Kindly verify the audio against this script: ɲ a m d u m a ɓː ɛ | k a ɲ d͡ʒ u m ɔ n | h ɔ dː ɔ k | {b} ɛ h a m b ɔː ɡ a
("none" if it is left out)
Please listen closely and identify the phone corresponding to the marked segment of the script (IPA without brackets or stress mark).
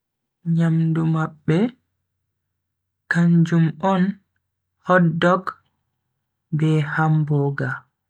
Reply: b